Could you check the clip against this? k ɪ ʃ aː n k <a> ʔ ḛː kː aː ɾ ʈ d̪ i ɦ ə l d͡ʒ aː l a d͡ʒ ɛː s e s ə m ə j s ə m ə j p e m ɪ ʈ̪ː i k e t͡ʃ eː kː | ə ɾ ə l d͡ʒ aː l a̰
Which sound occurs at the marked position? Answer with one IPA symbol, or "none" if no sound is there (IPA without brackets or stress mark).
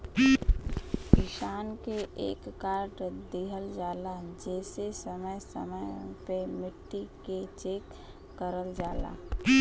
e